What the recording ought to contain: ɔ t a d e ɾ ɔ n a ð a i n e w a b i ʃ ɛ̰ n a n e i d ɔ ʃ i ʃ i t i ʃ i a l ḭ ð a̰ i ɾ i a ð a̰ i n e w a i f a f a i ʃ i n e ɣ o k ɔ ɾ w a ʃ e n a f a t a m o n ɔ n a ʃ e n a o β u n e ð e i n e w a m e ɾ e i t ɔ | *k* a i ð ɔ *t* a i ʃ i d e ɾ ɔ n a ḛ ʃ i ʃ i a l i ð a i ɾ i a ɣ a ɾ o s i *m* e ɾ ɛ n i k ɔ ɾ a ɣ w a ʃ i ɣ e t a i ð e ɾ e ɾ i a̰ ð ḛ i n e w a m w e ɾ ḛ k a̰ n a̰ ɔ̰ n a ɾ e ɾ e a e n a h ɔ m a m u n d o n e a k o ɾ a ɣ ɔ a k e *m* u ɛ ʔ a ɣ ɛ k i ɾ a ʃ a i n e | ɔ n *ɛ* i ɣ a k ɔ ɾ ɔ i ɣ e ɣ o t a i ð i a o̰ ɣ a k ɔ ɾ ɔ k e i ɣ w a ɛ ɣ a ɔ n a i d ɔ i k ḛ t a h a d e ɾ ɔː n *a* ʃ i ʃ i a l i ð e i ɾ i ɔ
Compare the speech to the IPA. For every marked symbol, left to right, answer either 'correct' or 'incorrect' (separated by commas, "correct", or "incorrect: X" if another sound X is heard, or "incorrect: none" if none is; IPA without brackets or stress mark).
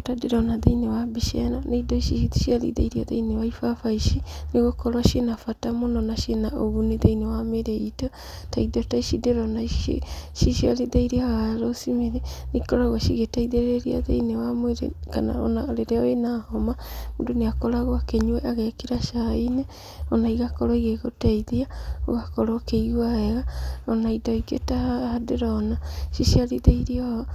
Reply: incorrect: t, correct, correct, incorrect: ɲ, incorrect: a, correct